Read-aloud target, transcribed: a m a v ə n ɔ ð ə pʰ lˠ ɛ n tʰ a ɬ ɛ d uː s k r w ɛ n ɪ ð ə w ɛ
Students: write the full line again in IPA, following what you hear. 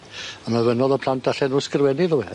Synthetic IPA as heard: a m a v ə n ɔ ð ə pʰ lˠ a n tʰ a ɬ ɛ n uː s k r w ɛ n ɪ ð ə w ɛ